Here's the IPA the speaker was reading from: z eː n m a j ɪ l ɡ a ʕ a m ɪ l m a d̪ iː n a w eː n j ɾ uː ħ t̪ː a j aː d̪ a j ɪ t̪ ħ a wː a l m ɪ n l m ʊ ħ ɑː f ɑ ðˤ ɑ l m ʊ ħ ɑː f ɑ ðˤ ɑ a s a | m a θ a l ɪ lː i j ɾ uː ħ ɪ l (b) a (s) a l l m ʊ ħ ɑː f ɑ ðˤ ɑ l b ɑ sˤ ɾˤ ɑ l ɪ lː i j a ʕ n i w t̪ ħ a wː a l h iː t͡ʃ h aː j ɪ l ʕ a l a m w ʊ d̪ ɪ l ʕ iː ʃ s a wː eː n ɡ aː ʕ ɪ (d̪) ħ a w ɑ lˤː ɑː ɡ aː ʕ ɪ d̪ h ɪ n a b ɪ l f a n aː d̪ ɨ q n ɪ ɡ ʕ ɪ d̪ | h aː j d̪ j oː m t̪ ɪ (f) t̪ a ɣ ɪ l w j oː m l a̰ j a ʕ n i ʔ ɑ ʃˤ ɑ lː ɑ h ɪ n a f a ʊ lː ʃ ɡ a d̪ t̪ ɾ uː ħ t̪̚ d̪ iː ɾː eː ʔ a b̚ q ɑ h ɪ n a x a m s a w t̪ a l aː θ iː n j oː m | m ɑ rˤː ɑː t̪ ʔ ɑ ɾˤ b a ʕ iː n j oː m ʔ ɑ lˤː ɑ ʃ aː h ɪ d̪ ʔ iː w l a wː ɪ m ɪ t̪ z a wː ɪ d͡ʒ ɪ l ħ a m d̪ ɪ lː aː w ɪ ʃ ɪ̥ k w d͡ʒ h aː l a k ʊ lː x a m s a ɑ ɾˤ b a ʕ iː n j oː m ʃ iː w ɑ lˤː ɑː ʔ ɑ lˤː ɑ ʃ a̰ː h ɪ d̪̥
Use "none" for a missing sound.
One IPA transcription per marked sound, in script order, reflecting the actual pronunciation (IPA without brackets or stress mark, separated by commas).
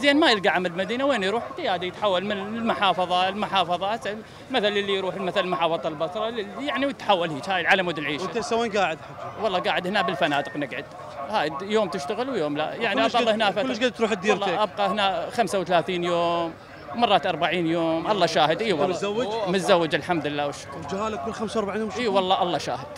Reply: m, θ, d̪, ʃ